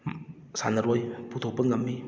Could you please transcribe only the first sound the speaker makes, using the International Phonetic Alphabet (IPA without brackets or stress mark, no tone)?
s